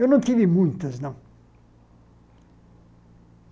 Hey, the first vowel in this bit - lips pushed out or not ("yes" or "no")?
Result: no